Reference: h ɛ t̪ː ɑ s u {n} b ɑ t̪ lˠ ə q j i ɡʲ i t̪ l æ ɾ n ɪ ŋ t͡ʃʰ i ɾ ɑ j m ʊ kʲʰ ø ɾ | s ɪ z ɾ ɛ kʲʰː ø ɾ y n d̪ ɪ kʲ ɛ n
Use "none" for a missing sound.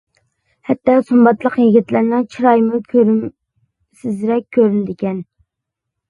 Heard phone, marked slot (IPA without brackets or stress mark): m